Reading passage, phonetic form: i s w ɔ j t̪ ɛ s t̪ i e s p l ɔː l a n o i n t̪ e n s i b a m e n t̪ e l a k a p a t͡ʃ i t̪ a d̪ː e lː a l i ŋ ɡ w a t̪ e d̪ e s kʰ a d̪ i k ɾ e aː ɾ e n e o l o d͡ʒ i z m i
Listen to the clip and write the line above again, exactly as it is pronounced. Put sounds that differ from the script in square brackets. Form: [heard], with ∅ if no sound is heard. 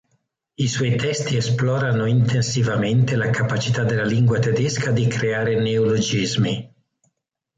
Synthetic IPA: i s w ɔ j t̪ ɛ s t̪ i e s p l ɔː [ɾ] a n o i n t̪ e n s i [v] a m e n t̪ e l a k a p a t͡ʃ i t̪ a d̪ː e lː a l i ŋ ɡ w a t̪ e d̪ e s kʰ a d̪ i k ɾ e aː ɾ e n e o l o d͡ʒ i z m i